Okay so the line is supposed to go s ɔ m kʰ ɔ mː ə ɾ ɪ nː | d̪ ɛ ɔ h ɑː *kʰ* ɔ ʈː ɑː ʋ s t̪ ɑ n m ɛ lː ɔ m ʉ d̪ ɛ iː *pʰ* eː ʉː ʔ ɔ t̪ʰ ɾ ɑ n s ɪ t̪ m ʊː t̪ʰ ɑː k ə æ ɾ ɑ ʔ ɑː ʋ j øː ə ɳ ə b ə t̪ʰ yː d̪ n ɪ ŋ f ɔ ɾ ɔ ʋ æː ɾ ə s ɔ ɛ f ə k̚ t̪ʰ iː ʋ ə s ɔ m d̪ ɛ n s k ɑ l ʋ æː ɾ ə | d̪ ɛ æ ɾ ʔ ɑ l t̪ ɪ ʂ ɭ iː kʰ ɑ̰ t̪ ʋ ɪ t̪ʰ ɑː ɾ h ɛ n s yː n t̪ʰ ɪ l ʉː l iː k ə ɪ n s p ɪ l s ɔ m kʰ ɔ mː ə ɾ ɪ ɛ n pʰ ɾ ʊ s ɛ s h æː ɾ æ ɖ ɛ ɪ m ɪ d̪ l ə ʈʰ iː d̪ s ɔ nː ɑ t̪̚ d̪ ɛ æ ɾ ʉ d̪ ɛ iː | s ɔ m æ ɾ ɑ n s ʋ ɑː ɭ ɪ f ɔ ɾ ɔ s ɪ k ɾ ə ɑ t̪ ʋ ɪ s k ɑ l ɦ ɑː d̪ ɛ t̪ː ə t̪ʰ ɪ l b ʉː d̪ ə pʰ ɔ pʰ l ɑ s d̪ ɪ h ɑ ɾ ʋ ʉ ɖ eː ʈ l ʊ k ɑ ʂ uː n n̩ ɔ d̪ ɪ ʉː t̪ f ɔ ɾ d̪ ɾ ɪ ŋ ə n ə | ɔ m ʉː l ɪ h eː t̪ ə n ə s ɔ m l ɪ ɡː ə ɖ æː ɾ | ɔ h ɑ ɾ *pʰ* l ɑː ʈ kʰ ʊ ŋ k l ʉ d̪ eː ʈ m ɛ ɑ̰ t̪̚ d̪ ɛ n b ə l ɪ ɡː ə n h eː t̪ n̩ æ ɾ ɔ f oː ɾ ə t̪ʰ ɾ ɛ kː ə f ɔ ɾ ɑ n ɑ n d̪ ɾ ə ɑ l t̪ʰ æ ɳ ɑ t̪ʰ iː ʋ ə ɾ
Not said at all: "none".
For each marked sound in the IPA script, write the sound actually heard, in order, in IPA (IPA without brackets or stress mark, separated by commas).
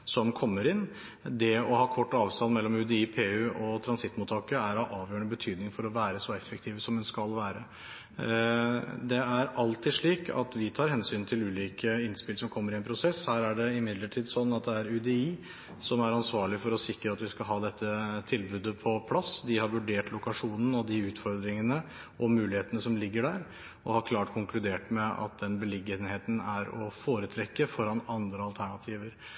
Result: kʰ, pʰ, kʰ